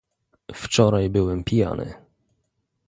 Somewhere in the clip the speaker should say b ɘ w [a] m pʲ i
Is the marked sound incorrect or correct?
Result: incorrect